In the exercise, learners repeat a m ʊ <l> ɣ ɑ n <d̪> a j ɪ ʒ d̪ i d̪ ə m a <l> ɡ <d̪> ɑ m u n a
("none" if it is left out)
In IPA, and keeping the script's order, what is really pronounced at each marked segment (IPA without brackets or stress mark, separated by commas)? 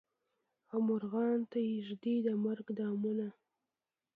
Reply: ɾ, t̪, ɾ, d̪